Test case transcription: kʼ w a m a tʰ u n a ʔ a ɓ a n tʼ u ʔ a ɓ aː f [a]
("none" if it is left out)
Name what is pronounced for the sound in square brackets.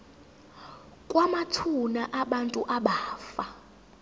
a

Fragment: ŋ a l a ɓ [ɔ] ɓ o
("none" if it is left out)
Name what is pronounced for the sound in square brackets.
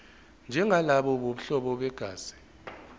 ɔ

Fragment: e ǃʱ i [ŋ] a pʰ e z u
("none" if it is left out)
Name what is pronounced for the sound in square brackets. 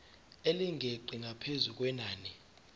ŋ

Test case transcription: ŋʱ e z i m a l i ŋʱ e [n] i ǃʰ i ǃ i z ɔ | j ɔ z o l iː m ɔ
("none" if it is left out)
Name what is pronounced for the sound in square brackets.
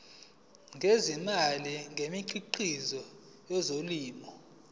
m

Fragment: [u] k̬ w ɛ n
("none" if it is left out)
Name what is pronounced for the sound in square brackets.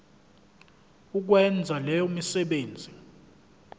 u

